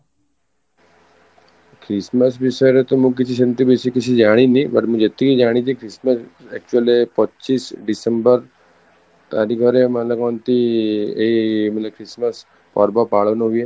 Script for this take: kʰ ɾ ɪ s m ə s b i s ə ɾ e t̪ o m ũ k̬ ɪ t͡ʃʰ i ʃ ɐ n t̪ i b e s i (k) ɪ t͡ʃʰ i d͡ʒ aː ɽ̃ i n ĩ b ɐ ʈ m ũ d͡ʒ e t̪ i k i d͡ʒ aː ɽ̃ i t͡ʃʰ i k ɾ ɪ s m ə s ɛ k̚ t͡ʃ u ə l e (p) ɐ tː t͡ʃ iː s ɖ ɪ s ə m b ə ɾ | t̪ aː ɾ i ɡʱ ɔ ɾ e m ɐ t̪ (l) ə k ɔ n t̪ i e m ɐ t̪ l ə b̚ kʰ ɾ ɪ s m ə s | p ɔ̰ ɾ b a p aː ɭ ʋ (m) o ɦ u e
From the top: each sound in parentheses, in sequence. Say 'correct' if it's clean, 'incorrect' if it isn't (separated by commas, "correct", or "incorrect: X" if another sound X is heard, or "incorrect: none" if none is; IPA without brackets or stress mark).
correct, correct, correct, incorrect: n